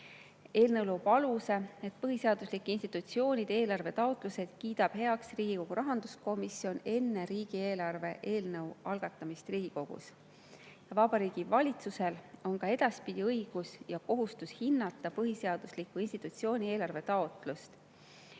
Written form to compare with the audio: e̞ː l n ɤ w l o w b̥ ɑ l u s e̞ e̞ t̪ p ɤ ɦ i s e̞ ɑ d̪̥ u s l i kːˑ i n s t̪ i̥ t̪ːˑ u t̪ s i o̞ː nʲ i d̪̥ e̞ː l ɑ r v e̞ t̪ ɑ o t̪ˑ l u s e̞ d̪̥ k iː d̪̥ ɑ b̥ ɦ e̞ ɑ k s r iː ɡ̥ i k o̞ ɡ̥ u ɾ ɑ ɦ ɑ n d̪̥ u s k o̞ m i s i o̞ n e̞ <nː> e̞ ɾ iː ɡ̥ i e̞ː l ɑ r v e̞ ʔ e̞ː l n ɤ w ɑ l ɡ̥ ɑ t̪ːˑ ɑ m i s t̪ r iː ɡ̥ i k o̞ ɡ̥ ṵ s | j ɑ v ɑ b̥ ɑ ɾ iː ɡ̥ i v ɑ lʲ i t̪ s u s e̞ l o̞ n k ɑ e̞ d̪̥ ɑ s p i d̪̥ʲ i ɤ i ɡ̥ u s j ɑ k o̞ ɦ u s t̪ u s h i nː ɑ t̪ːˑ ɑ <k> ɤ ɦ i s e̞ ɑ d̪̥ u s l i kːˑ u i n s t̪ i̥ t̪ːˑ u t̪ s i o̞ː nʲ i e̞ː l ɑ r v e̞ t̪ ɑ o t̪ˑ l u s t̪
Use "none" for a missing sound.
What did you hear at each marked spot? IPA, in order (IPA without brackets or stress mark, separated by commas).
nː, p